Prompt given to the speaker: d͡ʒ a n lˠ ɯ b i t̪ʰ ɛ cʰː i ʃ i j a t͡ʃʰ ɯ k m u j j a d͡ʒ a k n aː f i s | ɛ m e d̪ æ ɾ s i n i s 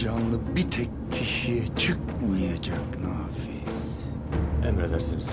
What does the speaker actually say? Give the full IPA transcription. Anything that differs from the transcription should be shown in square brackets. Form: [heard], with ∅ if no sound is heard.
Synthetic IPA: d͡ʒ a n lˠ ɯ b i t̪ʰ ɛ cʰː i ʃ i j [ɛ] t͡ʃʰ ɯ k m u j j a d͡ʒ a k n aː f i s | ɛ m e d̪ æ ɾ s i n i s